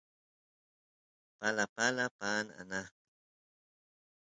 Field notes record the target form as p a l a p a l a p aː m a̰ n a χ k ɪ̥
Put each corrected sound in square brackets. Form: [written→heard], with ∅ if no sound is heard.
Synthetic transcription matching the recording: p a l a p a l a p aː [m→n] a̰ n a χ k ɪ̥